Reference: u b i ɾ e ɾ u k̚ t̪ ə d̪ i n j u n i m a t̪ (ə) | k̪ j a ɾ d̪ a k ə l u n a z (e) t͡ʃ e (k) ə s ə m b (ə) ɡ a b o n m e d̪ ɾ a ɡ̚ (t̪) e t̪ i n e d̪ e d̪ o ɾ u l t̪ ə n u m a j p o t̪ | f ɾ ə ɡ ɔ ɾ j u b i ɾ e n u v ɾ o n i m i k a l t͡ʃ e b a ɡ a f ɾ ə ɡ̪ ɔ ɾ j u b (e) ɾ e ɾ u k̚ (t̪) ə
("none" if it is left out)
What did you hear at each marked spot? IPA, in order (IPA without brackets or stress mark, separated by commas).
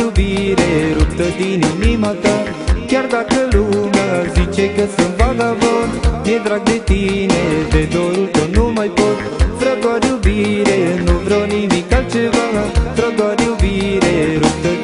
a, i, k, a, d̪, i, t̪